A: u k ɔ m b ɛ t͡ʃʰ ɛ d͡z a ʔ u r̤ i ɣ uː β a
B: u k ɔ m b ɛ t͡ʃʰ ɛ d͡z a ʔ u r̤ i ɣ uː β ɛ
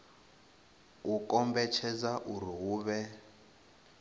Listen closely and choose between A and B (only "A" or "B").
B